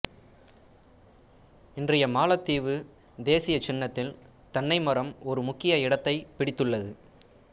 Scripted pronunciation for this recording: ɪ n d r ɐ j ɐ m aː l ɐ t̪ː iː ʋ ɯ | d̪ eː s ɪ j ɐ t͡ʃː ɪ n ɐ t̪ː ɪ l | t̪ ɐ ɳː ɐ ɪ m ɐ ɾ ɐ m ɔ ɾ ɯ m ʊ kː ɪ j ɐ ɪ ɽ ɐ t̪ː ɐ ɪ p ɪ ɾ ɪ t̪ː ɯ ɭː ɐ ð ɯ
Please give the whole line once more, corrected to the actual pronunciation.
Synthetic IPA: ɪ n d r ɐ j ɐ m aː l ɐ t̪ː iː ʋ ɯ | d̪ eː s ɪ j ɐ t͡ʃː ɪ nː ɐ t̪ː ɪ l | t̪ ɐ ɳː ɐ ɪ m ɐ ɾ ɐ m ɔ ɾ ɯ m ʊ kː ɪ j ɐ ɪ ɽ ɐ t̪ː ɐ ɪ p ɪ ɽ ɪ t̪ː ɯ ɭː ɐ ð ɯ